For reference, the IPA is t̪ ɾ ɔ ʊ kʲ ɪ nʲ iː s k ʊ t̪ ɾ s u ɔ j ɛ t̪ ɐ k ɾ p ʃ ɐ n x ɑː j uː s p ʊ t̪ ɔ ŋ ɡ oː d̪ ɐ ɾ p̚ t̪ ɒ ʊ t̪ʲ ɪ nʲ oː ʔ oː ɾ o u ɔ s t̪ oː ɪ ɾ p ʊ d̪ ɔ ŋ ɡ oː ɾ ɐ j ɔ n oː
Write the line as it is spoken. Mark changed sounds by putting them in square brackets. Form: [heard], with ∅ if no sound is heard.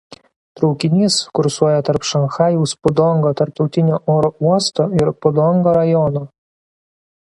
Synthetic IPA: t̪ ɾ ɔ ʊ kʲ ɪ nʲ iː s k ʊ [∅] ɾ s u ɔ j ɛ t̪ ɐ [∅] ɾ p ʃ ɐ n x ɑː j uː s p ʊ [d̪] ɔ ŋ ɡ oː [t̪] ɐ ɾ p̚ t̪ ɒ ʊ t̪ʲ ɪ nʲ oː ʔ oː ɾ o u ɔ s t̪ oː ɪ ɾ p ʊ d̪ ɔ ŋ ɡ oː ɾ ɐ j ɔ n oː